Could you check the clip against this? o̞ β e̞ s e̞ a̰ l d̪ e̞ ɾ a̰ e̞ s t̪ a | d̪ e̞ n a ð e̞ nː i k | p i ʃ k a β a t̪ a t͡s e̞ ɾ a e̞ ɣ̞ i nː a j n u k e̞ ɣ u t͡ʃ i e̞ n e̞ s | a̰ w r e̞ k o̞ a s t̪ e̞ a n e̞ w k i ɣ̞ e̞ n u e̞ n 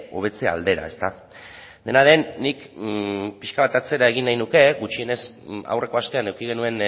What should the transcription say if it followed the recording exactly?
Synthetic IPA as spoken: o̞ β e̞ t͡s e̞ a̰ l d̪ e̞ ɾ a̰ e̞ s t̪ a | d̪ e̞ n a ð e̞ nː i k | p i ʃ k a β a t̪ a t͡s e̞ ɾ a e̞ ɣ̞ i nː a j n u k e̞ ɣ u t͡ʃ i e̞ n e̞ s | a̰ w r e̞ k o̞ a s t̪ e̞ a n e̞ w k i ɣ̞ e̞ n u e̞ n

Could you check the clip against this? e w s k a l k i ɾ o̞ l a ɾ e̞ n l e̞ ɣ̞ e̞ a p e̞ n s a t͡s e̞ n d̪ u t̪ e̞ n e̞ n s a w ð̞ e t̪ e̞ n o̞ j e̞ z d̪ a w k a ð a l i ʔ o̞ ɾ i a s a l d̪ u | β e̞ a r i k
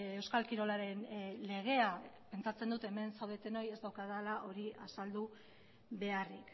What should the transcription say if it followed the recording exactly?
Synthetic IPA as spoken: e w s k a l k i ɾ o̞ l a ɾ e̞ n l e̞ ɣ̞ e̞ a p e̞ n t͡s a t͡s e̞ n d̪ u t̪ e̞ m e̞ n s a w ð̞ e t̪ e̞ n o̞ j e̞ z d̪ a w k a ð a l a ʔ o̞ ɾ i a s a l d̪ u | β e̞ a r i k

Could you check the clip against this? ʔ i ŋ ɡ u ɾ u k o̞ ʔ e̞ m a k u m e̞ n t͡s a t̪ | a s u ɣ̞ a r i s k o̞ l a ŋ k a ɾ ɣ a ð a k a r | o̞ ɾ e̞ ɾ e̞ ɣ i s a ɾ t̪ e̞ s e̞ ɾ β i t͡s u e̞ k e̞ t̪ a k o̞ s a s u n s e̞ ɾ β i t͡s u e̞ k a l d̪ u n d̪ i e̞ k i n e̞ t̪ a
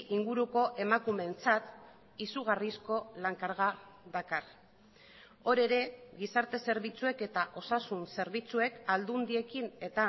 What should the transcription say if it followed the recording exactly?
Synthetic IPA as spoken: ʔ i ŋ ɡ u ɾ u k o̞ ʔ e̞ m a k u m e̞ n t͡s a t̪ | i s u ɣ̞ a r i s k o̞ l a ŋ k a ɾ ɣ a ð a k a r | o̞ ɾ e̞ ɾ e̞ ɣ i s a ɾ t̪ e̞ s e̞ ɾ β i t͡s u e̞ k e̞ t̪ a ʔ o̞ s a s u n s e̞ ɾ β i t͡s u e̞ k a l d̪ u n d̪ i e̞ k i n e̞ t̪ a

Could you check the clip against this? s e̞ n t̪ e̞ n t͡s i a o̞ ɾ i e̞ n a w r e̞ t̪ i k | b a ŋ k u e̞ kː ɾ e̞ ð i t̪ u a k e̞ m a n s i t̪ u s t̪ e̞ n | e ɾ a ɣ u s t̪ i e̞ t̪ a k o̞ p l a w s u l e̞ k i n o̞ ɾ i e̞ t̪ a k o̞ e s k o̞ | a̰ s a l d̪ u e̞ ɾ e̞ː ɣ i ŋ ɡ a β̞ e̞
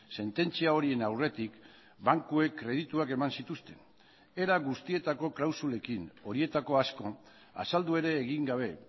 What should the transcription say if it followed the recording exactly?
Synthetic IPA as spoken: s e̞ n t̪ e̞ n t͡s i a o̞ ɾ i e̞ n a w r e̞ t̪ i k | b a ŋ k u e̞ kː ɾ e̞ ð i t̪ u a k e̞ m a n s i t̪ u s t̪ e̞ n | e ɾ a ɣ u s t̪ i e̞ t̪ a k o̞ k l a w s u l e̞ k i n o̞ ɾ i e̞ t̪ a k o̞ a s k o̞ | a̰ s a l d̪ u e̞ ɾ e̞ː ɣ i ŋ ɡ a β̞ e̞

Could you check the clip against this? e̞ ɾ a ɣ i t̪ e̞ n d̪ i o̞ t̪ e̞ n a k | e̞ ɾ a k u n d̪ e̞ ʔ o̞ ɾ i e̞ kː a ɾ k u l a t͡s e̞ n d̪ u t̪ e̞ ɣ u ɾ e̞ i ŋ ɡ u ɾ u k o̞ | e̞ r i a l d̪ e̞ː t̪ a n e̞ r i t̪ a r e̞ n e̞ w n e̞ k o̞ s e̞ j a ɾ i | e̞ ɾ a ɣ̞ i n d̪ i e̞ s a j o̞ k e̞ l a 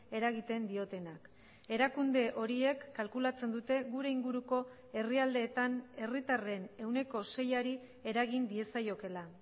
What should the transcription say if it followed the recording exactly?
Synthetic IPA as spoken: e̞ ɾ a ɣ i t̪ e̞ n d̪ i o̞ t̪ e̞ n a k | e̞ ɾ a k u n d̪ e̞ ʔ o̞ ɾ i e̞ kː a l k u l a t͡s e̞ n d̪ u t̪ e̞ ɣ u ɾ e̞ i ŋ ɡ u ɾ u k o̞ | e̞ r i a l d̪ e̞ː t̪ a n e̞ r i t̪ a r e̞ n e̞ w n e̞ k o̞ s e̞ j a ɾ i | e̞ ɾ a ɣ̞ i n d̪ i e̞ s a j o̞ k e̞ l a

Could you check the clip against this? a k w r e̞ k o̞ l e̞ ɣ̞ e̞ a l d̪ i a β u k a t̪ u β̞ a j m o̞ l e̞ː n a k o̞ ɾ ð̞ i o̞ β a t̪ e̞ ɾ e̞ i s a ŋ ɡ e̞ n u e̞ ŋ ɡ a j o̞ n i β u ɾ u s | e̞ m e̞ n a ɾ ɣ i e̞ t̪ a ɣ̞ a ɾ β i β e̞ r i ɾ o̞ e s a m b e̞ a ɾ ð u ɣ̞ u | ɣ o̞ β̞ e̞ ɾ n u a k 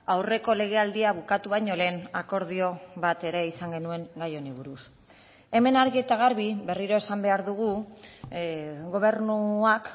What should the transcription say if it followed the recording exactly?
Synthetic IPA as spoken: a w r e̞ k o̞ l e̞ ɣ̞ e̞ a l d̪ i a β u k a t̪ u β̞ a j ɲ o̞ l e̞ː n a k o̞ ɾ ð̞ i o̞ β a t̪ e̞ ɾ e̞ i s a ŋ ɡ e̞ n u e̞ ŋ ɡ a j o̞ n i β u ɾ u s | e̞ m e̞ n a ɾ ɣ i e̞ t̪ a ɣ̞ a ɾ β i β e̞ r i ɾ o̞ e s a m b e̞ a ɾ ð u ɣ̞ u | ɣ o̞ β̞ e̞ ɾ n u a k

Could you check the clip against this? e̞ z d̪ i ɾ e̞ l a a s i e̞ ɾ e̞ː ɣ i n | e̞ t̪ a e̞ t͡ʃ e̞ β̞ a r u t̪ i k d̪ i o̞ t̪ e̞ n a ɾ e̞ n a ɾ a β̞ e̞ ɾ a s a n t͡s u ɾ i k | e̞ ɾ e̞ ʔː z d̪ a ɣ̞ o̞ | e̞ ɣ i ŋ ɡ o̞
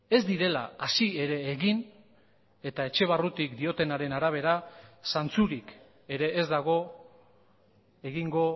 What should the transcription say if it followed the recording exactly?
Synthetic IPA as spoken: e̞ z d̪ i ɾ e̞ l a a s i e̞ ɾ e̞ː ɣ i n | e̞ t̪ a e̞ t͡ʃ e̞ β̞ a r u t̪ i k d̪ i o̞ t̪ e̞ n a ɾ e̞ n a ɾ a β̞ e̞ ɾ a s a n t͡s u ɾ i k | e̞ ɾ e̞ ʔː z d̪ a ɣ̞ o̞ | e̞ ɣ i ŋ ɡ o̞

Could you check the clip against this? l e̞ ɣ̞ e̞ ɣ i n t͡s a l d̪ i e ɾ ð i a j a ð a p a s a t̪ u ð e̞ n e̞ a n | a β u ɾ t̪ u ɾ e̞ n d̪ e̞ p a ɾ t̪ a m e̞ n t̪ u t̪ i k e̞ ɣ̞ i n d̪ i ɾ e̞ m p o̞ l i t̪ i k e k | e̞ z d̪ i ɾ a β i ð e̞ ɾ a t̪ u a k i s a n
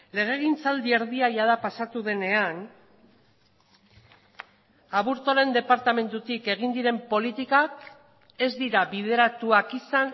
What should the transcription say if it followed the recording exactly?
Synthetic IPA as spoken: l e̞ ɣ̞ e̞ ɣ i n t͡s a l d̪ i e ɾ ð i a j a ð a p a s a t̪ u ð e̞ n e̞ a n | a β u ɾ t̪ o ɾ e̞ n d̪ e̞ p a ɾ t̪ a m e̞ n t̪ u t̪ i k e̞ ɣ̞ i n d̪ i ɾ e̞ m p o̞ l i t̪ i k a k | e̞ z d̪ i ɾ a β i ð e̞ ɾ a t̪ u a k i s a n

